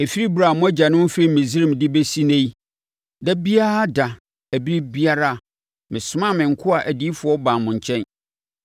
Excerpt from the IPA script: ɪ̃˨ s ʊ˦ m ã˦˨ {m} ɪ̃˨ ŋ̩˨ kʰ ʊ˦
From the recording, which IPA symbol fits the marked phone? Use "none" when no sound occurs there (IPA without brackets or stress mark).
m